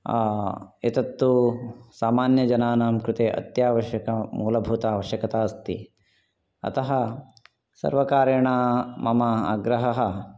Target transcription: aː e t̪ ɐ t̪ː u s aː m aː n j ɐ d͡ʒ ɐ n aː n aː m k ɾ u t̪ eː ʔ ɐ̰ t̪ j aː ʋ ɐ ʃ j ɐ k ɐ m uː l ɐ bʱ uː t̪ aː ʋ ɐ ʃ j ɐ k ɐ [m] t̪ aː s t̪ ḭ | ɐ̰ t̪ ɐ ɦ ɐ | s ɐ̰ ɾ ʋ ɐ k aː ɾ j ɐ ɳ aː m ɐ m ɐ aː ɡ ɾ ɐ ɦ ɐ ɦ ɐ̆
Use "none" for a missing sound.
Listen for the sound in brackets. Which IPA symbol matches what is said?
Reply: none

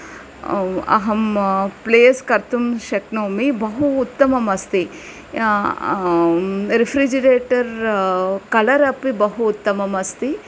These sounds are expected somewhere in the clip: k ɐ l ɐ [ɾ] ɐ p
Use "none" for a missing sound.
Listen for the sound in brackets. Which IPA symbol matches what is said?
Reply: ɾ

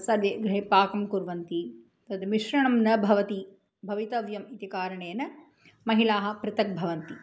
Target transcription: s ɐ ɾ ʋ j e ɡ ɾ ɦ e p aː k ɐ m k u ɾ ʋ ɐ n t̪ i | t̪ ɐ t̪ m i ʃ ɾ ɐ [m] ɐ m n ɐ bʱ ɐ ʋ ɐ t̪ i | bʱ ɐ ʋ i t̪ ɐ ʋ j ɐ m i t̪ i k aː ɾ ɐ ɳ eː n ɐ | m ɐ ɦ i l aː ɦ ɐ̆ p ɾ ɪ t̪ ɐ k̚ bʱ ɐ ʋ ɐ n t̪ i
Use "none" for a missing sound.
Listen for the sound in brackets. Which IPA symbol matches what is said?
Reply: ɳ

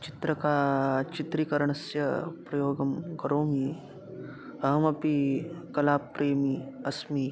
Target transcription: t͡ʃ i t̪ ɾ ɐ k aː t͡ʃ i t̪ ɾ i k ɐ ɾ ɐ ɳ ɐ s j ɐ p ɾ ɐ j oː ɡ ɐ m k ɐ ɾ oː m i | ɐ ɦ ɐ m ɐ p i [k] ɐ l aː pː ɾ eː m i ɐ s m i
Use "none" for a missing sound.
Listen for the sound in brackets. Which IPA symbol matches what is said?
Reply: k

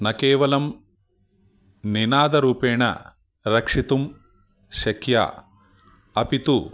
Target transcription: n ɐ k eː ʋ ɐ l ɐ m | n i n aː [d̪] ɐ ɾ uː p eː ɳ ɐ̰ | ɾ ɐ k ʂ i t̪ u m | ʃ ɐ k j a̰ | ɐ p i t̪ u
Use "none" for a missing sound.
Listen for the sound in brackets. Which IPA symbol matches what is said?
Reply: d̪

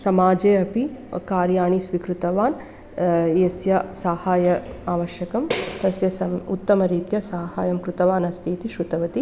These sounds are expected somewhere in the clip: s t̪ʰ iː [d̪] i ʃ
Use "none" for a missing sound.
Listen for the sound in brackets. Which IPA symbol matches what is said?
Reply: t̪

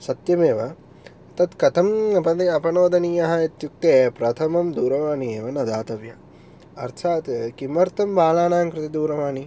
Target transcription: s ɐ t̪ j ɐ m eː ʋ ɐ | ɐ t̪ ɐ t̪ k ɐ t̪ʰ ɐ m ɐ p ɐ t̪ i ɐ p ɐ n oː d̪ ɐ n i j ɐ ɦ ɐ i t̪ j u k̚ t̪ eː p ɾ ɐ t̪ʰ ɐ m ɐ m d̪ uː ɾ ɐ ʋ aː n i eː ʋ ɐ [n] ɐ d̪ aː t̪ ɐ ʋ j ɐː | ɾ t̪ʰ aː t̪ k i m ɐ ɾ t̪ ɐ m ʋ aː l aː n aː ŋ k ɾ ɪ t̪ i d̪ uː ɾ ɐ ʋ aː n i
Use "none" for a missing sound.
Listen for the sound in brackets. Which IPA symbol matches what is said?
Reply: n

